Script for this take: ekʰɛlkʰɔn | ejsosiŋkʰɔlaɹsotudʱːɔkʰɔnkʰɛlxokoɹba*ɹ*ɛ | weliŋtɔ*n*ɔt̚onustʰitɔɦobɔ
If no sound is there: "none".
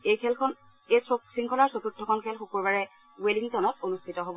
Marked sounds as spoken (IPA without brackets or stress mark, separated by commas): ɹ, n